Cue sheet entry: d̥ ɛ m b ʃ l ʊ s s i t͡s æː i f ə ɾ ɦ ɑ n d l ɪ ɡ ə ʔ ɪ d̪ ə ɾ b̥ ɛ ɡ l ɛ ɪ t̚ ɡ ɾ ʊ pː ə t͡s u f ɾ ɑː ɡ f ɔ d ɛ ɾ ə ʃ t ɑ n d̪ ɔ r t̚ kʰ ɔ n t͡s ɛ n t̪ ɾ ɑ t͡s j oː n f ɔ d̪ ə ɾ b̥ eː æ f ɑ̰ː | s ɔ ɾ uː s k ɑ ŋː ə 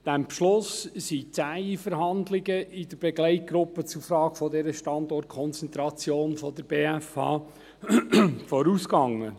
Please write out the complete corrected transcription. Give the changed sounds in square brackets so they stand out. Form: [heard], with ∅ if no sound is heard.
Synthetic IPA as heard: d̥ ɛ m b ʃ l ʊ s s i t͡s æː i f ə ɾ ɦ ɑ n d l ɪ ɡ ə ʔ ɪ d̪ ə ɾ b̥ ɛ ɡ l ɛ ɪ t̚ ɡ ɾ ʊ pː ə t͡s u f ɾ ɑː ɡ f ɔ d ɛ ɾ ə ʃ t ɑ n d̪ ɔ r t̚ kʰ ɔ n t͡s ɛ n t̪ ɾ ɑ t͡s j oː n f ɔ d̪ ə ɾ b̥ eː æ f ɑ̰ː | [f] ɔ ɾ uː s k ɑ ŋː ə

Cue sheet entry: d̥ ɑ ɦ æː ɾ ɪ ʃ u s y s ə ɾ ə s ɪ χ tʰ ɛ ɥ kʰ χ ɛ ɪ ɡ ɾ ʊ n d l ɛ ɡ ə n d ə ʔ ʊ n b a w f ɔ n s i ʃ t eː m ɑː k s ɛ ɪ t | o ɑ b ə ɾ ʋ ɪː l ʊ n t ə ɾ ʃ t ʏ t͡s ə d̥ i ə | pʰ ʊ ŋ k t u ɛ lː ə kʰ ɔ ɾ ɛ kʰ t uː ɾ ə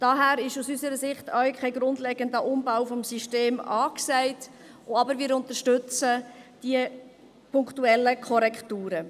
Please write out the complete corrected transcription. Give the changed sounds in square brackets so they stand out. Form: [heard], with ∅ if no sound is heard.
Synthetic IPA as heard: d̥ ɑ ɦ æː ɾ ɪ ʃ u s y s ə ɾ ə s ɪ χ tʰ [œ] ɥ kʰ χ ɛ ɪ ɡ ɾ ʊ n d l ɛ ɡ ə n d ə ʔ ʊ [m] b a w f ɔ [m] s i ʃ t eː m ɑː k s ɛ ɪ t | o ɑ b ə ɾ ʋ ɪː [ɾ] ʊ n t ə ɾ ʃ t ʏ t͡s ə d̥ i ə | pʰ ʊ ŋ k t u ɛ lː ə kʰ ɔ ɾ ɛ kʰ t uː ɾ ə

